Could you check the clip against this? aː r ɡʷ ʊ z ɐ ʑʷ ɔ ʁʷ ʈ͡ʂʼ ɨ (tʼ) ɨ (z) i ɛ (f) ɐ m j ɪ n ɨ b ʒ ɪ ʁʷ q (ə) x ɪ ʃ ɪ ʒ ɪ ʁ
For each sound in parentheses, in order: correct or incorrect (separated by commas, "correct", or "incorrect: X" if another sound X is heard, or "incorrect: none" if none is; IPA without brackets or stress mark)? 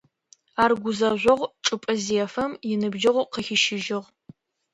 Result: incorrect: pʼ, correct, correct, correct